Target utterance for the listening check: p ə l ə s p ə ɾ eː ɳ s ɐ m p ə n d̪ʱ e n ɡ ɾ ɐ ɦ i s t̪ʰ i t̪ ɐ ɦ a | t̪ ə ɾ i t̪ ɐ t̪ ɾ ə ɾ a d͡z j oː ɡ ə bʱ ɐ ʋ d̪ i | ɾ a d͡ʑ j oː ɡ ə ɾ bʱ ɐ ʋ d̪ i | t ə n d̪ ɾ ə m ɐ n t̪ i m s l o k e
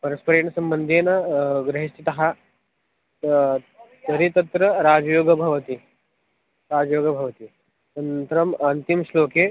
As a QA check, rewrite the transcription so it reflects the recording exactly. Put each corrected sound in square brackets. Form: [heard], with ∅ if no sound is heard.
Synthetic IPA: p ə [ɾ] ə s p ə ɾ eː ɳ s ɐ m [b] ə n d̪ʱ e n ɡ ɾ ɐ ɦ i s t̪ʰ i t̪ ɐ ɦ a | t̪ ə ɾ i t̪ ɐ t̪ ɾ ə ɾ a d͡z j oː ɡ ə bʱ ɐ ʋ [t̪] i | ɾ a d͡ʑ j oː ɡ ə [∅] bʱ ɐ ʋ [t̪] i | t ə n [t̪] ɾ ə m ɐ n t̪ i m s l o k e